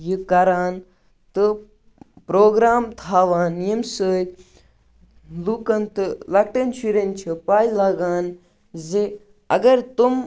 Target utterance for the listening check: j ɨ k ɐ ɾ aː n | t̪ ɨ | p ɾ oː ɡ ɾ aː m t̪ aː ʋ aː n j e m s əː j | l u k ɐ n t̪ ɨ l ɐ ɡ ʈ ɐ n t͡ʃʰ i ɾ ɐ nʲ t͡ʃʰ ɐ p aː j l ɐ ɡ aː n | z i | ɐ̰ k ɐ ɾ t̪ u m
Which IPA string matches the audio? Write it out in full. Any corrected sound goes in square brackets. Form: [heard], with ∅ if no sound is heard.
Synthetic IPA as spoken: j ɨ k ɐ ɾ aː n | t̪ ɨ | p ɾ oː ɡ ɾ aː m [t̪ʰ] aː ʋ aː n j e m s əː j | l u k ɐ n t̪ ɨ l ɐ [k] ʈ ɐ n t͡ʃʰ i ɾ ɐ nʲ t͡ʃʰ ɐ p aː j l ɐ ɡ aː n | z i | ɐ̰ [ɡ] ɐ ɾ t̪ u m